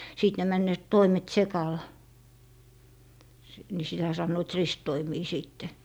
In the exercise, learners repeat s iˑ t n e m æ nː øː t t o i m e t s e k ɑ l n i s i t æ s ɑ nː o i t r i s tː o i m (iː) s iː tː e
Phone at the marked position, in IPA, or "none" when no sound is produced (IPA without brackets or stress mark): iː